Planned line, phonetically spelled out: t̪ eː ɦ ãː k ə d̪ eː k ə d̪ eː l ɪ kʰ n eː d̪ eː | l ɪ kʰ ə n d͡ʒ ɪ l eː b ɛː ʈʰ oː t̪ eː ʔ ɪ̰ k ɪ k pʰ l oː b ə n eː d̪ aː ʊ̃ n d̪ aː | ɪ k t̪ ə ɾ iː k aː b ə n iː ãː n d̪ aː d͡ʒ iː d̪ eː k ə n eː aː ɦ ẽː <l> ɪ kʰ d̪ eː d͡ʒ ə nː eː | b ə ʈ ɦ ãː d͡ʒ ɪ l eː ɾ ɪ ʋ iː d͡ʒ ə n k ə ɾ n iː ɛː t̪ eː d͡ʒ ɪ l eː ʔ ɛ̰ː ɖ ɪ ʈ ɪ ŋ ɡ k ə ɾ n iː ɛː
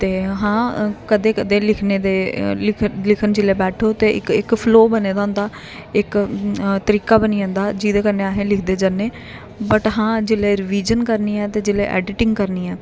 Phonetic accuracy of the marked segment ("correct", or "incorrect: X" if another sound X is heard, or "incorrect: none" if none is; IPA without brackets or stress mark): correct